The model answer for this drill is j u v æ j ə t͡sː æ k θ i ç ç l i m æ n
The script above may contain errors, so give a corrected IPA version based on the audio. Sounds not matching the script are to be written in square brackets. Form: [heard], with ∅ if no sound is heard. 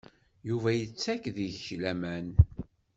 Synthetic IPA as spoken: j u v æ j ə t͡sː æ k [ð] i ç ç l [æ] m æ n